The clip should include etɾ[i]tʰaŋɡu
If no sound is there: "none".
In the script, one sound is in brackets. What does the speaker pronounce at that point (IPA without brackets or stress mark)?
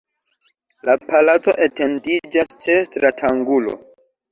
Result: a